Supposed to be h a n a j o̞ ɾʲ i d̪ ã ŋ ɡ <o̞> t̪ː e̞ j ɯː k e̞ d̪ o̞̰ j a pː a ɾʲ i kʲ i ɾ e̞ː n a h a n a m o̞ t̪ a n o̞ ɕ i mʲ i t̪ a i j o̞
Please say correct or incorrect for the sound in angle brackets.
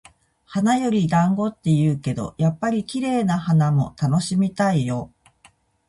correct